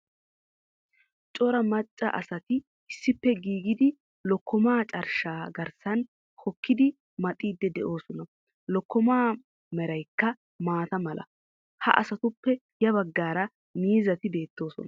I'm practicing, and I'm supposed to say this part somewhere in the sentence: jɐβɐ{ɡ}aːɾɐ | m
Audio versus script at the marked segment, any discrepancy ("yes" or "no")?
yes